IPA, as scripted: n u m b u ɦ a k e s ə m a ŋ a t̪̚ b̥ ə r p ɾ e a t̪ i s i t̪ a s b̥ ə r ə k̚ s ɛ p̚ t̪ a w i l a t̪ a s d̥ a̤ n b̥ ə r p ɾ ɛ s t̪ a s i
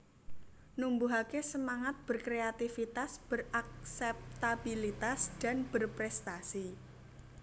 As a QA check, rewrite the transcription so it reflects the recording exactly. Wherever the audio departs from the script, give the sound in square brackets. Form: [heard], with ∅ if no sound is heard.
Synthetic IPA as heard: n u m b u ɦ a k e s ə m a ŋ a t̪̚ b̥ ə r [k] ɾ e a t̪ i [f] i t̪ a s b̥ ə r [a] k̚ s ɛ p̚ t̪ a [b] i l [i] t̪ a s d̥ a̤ n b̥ ə r p ɾ ɛ s t̪ a s i